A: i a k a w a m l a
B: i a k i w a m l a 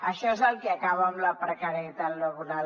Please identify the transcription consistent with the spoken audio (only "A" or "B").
A